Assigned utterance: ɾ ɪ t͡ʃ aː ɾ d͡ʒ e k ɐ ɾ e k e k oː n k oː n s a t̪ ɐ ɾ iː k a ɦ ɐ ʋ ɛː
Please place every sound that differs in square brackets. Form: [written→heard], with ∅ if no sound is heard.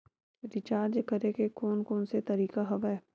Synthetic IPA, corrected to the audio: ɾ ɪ t͡ʃ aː ɾ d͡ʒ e k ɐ ɾ e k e k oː n k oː n s [a→e] t̪ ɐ ɾ iː k a ɦ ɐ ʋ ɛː